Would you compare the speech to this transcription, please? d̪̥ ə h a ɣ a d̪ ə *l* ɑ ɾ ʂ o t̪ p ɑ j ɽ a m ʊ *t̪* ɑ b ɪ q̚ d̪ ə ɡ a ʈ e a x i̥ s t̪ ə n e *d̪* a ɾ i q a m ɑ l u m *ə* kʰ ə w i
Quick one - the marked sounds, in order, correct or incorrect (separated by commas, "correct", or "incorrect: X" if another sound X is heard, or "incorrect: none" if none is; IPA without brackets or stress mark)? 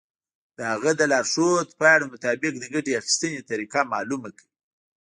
correct, correct, incorrect: t̪, incorrect: a